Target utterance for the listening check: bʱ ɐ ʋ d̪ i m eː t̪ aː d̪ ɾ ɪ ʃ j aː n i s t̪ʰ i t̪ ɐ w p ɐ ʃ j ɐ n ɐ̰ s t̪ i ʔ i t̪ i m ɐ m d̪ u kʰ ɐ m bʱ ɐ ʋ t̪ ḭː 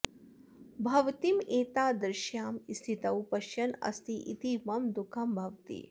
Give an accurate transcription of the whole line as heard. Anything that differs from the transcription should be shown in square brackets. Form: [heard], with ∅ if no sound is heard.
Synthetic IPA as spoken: bʱ ɐ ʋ [t̪] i m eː t̪ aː d̪ ɾ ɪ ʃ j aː [m] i s t̪ʰ i t̪ ɐ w p ɐ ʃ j ɐ n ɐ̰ s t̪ i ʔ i t̪ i m ɐ m d̪ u kʰ ɐ m bʱ ɐ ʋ t̪ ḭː

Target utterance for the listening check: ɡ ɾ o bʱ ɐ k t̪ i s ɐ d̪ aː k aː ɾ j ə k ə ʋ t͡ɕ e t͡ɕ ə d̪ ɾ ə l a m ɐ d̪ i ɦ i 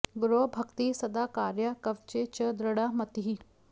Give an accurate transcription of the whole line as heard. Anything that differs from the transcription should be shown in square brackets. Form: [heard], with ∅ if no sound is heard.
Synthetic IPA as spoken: ɡ ɾ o bʱ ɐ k t̪ i s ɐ d̪ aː k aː ɾ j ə k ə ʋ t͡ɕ e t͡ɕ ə d̪ ɾ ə [ɽ] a m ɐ [t̪] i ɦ i

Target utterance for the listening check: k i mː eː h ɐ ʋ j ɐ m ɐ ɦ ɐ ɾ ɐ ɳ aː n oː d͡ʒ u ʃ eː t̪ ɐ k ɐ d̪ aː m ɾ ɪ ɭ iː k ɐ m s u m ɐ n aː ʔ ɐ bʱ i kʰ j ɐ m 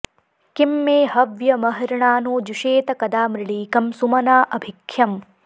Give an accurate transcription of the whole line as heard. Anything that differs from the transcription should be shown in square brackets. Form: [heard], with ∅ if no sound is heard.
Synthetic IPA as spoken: k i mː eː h ɐ ʋ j ɐ m ɐ ɦ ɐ ɾ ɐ ɳ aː n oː d͡ʒ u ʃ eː t̪ ɐ k ɐ d̪ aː m ɾ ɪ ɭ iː k ɐ m s u m ɐ n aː ʔ ɐ bʱ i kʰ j ɐ m

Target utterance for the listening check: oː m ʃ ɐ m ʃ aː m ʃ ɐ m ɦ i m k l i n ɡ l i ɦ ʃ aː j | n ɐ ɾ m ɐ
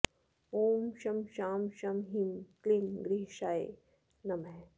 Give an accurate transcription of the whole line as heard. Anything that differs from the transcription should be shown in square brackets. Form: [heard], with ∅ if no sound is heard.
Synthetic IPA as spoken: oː m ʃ ɐ m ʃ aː m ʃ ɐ m ɦ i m k l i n ɡ [ɾ] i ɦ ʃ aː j | n ɐ [∅] m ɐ

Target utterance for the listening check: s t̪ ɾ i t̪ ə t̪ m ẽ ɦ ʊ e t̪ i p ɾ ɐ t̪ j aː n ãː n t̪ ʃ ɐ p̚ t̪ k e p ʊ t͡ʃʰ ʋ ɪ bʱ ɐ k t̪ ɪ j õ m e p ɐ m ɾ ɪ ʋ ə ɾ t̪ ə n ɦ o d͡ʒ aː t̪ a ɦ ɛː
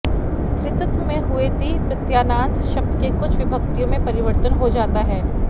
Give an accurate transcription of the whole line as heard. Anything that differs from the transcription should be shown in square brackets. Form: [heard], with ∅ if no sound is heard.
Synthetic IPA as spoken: s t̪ ɾ [ɪ] t̪ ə t̪ m ẽ ɦ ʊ e t̪ i p ɾ ɐ t̪ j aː n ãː n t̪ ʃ ɐ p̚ t̪ k e [k] ʊ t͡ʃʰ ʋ ɪ bʱ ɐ k t̪ [i] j õ m [ẽ] p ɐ [∅] ɾ ɪ ʋ ə ɾ t̪ ə n ɦ o d͡ʒ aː t̪ a ɦ ɛː

